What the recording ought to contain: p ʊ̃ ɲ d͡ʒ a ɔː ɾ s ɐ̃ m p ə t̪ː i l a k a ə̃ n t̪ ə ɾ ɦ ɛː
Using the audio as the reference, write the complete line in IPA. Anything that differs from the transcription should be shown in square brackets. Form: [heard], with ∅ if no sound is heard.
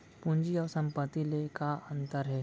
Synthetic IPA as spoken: p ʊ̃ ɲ d͡ʒ [i] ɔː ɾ s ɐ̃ m p ə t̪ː i l [e] k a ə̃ n t̪ ə ɾ ɦ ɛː